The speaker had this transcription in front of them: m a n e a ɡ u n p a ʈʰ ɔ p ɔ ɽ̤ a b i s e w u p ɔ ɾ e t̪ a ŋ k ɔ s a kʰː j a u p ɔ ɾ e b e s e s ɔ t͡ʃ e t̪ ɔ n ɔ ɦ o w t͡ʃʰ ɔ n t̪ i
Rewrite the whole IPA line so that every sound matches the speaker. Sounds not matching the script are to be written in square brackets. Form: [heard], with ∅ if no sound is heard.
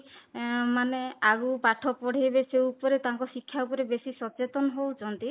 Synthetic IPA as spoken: m a n e a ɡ u [∅] p a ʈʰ ɔ p ɔ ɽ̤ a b [e] s e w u p ɔ ɾ e t̪ a ŋ k ɔ s [i] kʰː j a u p ɔ ɾ e b e s [i] s ɔ t͡ʃ e t̪ ɔ n ɔ ɦ o w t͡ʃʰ ɔ n t̪ i